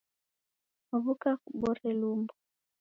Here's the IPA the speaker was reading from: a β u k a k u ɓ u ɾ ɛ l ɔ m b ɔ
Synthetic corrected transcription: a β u k a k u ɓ ɔ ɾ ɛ l u m b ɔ

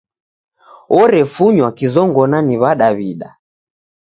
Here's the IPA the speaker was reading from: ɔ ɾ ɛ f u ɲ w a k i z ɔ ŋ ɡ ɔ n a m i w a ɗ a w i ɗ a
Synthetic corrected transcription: ɔ ɾ ɛ f u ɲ w a k i z ɔ ŋ ɡ ɔ n a n i β a ɗ a β i ɗ a

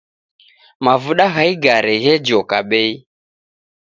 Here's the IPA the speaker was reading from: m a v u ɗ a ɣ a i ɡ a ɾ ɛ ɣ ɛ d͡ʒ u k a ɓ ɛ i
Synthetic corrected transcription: m a v u ɗ a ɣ a i ɡ a ɾ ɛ ɣ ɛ d͡ʒ ɔ k a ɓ ɛ i

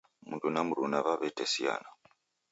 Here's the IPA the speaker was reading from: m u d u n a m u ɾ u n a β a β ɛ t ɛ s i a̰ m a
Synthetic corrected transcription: m u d u n a m u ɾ u n a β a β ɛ t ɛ s i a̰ n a

